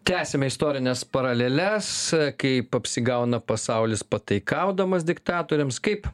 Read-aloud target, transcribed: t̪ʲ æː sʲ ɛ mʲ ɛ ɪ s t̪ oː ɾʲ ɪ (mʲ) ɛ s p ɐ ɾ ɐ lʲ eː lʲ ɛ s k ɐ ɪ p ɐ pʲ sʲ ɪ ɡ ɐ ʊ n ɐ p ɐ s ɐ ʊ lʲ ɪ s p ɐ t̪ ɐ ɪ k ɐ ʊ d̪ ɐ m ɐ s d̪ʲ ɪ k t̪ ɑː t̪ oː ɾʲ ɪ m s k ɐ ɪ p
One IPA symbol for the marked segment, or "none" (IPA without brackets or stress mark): nʲ